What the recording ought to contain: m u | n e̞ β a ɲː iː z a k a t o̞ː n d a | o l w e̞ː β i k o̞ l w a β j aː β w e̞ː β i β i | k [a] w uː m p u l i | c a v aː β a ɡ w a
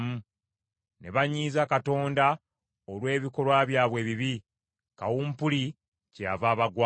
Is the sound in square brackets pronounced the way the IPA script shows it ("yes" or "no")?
yes